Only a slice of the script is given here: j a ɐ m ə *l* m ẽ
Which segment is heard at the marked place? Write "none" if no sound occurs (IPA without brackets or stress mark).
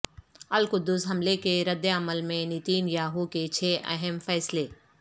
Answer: l